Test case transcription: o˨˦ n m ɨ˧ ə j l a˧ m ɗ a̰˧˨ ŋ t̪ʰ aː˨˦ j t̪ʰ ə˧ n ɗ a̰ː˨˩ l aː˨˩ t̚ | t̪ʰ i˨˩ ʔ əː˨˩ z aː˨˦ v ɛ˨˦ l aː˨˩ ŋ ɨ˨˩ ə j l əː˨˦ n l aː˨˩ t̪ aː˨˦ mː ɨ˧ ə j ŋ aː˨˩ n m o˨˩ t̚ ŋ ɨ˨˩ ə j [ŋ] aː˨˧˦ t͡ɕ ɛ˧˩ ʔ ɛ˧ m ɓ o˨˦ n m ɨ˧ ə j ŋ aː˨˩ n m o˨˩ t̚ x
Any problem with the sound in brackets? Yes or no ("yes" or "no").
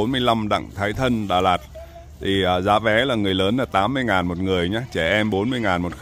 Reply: yes